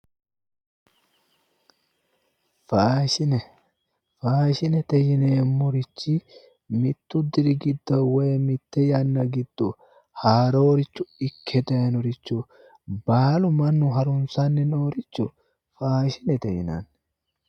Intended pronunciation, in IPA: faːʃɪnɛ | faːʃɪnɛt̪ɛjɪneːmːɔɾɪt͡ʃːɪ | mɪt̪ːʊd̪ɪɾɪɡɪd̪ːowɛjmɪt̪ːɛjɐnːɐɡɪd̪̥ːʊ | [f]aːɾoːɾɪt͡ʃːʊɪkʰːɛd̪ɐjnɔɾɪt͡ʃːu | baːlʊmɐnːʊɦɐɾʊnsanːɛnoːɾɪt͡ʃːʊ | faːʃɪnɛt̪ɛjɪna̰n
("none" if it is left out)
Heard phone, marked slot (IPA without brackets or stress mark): h